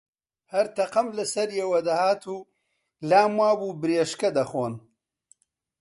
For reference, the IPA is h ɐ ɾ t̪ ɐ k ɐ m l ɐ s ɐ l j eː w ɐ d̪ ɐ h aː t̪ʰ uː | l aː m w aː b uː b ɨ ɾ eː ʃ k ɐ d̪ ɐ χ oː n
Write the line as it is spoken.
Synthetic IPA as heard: h ɐ ɾ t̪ ɐ q ɐ m l ɐ s ɐ ɾ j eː w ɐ d̪ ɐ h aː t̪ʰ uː | l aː m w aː b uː b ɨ ɾ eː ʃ k ɐ d̪ ɐ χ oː n